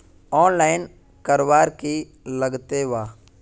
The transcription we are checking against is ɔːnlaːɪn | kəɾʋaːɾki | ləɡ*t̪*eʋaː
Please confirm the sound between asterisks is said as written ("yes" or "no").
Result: yes